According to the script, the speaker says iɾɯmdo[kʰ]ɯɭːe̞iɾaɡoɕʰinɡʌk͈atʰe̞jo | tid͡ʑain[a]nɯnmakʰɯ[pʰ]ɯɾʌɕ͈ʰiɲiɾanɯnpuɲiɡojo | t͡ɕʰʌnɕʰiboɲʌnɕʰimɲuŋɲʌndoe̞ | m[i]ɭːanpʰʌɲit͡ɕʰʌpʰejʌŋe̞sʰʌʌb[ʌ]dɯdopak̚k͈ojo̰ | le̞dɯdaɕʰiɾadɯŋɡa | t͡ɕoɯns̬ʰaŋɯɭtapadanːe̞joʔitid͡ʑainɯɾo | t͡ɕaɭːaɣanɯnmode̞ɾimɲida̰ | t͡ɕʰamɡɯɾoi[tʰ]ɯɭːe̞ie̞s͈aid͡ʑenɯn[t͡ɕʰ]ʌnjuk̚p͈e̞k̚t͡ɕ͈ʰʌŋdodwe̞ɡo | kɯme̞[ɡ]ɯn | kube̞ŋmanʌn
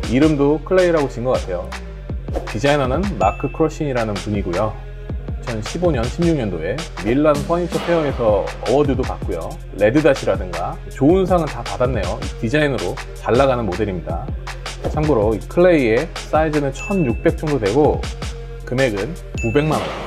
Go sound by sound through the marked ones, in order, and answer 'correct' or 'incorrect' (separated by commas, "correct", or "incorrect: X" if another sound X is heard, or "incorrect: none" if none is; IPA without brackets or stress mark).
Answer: correct, incorrect: ʌ, incorrect: kʰ, correct, correct, incorrect: kʰ, correct, correct